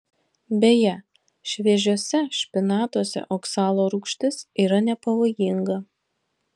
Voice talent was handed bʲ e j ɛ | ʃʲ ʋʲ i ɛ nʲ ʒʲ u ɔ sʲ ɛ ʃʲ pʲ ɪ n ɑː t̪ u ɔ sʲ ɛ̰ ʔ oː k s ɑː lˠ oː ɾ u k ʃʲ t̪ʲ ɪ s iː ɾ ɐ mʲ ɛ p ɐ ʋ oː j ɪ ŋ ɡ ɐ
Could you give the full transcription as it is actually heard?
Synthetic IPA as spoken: bʲ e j ɛ | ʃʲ ʋʲ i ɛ ʒʲ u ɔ sʲ ɛ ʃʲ pʲ ɪ n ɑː t̪ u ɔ sʲ ɛ̰ ʔ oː k s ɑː lˠ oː ɾ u k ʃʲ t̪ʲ ɪ s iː ɾ ɐ nʲ ɛ p ɐ ʋ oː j ɪ ŋ ɡ ɐ